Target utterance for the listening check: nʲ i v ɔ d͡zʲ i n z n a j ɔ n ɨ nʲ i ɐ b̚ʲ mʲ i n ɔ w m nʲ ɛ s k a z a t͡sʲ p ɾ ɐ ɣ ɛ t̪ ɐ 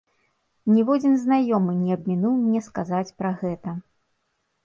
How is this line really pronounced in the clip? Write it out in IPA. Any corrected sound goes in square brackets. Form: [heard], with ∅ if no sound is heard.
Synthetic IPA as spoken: nʲ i v ɔ d͡zʲ i n z n a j ɔ [m] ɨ nʲ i ɐ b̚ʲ mʲ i n [u] w m nʲ ɛ s k a z a t͡sʲ p ɾ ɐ ɣ ɛ t̪ ɐ